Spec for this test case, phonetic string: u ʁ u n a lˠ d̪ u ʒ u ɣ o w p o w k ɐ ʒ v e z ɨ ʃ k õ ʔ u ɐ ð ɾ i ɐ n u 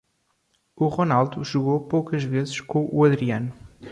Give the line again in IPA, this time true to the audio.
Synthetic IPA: u ʁ o n a lˠ d̪ u ʒ u ɣ o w p o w k ɐ ʒ v e z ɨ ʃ k õ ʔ u ɐ ð ɾ i ɐ n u